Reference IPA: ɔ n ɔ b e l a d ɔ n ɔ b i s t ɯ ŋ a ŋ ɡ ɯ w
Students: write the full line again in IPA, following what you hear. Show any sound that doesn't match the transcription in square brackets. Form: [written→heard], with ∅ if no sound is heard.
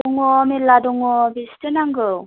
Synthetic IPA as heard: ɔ [n→ŋ] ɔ [b→m] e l a d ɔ [n→ŋ] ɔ b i s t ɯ [ŋ→n] a ŋ ɡ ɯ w